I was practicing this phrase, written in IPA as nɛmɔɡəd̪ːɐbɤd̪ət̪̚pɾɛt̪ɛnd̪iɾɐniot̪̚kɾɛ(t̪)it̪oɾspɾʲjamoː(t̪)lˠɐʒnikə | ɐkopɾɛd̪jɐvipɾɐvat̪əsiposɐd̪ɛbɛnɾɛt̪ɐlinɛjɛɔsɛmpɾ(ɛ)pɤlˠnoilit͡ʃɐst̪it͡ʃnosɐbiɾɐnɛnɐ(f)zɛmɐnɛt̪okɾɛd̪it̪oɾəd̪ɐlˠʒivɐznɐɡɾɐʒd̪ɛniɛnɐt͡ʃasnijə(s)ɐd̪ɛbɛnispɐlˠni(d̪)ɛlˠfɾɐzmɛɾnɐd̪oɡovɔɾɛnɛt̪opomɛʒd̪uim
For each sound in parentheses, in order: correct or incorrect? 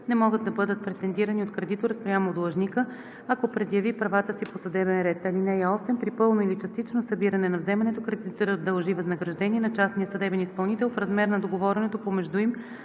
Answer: incorrect, incorrect, incorrect, incorrect, correct, incorrect

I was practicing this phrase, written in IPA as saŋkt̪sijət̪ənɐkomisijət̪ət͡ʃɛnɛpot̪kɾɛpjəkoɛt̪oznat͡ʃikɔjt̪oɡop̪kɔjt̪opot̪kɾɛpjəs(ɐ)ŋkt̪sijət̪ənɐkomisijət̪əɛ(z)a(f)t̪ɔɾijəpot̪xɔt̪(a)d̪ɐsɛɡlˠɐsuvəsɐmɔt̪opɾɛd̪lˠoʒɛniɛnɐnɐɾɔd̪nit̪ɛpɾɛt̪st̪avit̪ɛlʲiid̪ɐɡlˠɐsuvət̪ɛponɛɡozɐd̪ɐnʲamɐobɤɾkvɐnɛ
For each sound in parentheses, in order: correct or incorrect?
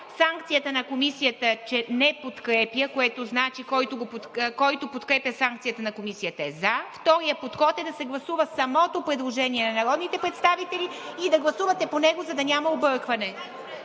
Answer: incorrect, correct, correct, incorrect

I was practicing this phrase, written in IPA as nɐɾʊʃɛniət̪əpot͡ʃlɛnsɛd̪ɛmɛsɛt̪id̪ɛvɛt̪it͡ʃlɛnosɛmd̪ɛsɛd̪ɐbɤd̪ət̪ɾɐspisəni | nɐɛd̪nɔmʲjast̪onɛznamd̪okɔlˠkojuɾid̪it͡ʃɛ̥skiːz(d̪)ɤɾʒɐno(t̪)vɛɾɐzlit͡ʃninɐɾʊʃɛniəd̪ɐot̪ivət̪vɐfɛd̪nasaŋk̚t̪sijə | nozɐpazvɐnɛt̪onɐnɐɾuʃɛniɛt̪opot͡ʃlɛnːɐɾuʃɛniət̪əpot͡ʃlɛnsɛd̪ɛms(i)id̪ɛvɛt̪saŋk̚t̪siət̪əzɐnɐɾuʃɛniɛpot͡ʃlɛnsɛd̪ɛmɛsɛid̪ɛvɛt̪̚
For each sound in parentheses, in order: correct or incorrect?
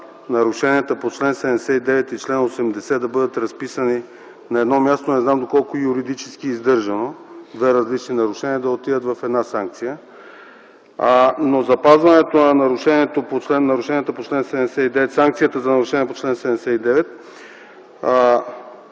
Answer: correct, incorrect, incorrect

